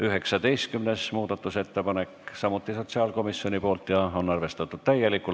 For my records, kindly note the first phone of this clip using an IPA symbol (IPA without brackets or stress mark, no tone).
y